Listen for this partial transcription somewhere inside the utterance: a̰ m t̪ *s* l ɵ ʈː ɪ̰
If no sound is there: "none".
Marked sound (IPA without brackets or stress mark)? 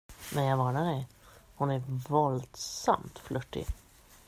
f